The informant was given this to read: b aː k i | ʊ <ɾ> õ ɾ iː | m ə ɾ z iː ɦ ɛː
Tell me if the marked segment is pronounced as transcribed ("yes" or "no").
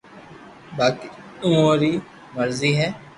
no